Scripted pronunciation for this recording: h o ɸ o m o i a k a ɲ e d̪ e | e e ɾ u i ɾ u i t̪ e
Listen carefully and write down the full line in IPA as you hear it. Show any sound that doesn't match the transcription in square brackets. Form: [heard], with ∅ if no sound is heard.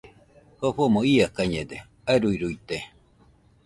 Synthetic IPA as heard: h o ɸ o m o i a k a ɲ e d̪ e | [a] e ɾ u i ɾ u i t̪ e